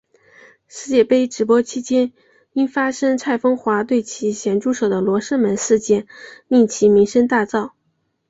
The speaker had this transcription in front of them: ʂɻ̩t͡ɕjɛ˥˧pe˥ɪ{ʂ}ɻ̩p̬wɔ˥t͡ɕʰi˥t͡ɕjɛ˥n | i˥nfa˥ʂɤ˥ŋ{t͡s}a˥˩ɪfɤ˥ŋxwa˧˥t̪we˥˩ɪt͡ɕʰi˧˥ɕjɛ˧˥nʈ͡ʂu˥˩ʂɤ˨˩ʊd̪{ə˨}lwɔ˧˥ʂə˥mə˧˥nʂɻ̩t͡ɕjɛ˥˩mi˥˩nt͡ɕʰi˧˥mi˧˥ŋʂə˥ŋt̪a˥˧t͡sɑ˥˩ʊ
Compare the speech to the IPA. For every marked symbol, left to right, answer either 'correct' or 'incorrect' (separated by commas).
incorrect, incorrect, incorrect